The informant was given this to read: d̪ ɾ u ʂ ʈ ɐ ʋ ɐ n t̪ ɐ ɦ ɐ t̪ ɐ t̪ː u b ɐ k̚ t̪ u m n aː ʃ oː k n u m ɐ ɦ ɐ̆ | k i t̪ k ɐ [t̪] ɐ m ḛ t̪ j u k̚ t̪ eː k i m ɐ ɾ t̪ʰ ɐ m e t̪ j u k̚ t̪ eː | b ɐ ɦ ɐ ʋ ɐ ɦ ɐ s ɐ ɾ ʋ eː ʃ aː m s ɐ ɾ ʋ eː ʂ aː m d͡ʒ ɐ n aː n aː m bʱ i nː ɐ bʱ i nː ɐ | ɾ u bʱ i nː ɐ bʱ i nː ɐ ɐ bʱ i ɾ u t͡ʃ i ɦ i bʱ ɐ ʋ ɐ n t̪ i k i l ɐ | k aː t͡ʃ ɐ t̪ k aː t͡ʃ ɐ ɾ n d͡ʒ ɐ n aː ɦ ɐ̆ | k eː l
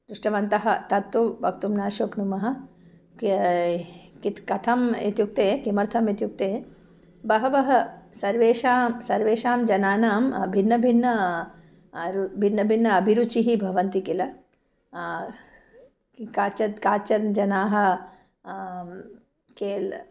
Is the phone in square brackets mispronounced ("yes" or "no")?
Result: yes